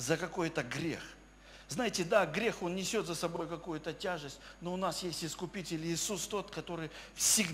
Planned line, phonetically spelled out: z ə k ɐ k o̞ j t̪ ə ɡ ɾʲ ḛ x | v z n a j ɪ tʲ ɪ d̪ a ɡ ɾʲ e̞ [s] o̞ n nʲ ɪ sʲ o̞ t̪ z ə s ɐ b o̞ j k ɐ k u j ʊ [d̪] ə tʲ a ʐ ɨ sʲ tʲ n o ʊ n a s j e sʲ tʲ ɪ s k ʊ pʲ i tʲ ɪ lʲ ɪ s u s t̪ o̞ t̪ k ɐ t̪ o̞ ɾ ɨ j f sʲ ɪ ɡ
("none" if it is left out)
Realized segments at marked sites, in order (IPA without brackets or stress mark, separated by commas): x, t̪